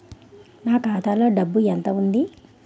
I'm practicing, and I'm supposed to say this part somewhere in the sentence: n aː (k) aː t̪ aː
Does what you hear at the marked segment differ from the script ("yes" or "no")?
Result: no